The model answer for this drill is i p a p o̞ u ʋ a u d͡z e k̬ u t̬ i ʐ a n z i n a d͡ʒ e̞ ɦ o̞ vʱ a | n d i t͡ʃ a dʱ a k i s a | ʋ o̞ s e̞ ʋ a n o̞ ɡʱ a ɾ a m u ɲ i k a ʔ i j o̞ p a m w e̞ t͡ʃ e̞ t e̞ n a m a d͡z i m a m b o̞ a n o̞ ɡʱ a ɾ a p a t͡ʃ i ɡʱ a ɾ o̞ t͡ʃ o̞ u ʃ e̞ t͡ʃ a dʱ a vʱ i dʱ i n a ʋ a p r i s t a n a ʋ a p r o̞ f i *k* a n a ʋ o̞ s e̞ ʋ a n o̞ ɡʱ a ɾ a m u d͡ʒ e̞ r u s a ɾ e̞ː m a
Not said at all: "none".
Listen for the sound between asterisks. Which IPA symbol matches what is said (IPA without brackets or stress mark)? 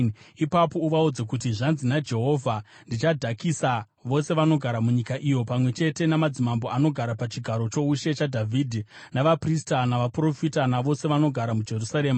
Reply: t